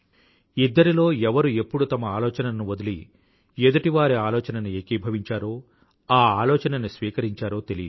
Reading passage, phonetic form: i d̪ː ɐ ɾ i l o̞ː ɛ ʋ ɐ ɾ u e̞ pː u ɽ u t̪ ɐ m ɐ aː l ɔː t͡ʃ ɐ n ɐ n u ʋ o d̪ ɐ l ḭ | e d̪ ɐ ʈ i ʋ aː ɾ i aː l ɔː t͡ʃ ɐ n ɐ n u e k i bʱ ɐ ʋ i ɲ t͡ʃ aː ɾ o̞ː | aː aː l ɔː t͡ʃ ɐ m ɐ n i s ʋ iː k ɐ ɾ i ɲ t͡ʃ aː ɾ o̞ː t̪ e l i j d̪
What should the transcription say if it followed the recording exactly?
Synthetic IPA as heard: i d̪ː ɐ ɾ i l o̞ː ɛ ʋ ɐ ɾ u e̞ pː u ɽ u t̪ ɐ m ɐ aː l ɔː t͡ʃ ɐ n ɐ n u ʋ o d̪ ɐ l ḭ | e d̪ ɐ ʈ i ʋ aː ɾ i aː l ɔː t͡ʃ ɐ n ɐ n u e k i bʱ ɐ ʋ i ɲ t͡ʃ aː ɾ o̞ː | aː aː l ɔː t͡ʃ ɐ n ɐ n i s ʋ iː k ɐ ɾ i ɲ t͡ʃ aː ɾ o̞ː t̪ e l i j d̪